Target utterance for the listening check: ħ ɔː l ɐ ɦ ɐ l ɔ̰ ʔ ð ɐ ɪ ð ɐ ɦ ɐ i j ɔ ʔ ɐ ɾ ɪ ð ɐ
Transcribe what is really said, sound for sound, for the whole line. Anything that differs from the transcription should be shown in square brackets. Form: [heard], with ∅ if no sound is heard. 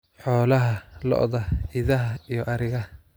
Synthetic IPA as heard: ħ ɔː l ɐ ɦ ɐ l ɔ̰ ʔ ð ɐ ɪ ð ɐ ɦ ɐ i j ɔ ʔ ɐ ɾ ɪ [ɣ] ɐ